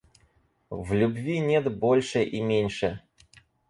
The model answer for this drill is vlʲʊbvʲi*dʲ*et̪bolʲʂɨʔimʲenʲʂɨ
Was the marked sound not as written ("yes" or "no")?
yes